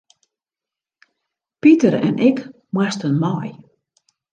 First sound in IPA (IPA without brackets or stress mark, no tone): p